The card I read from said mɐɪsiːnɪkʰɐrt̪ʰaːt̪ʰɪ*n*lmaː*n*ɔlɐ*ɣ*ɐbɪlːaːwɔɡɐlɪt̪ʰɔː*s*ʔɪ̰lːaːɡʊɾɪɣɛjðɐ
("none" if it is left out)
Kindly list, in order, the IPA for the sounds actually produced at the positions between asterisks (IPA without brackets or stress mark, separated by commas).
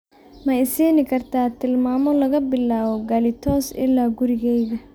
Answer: none, m, ɣ, s